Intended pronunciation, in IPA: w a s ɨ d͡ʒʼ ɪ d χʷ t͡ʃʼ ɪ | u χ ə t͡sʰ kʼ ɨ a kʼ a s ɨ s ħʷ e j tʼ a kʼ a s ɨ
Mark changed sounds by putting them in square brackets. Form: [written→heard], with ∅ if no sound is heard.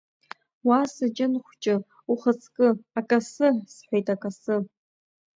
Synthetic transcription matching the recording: w a s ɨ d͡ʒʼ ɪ [d→n] χʷ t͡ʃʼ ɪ | u χ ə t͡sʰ kʼ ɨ a kʼ a s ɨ s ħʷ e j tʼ a kʼ a s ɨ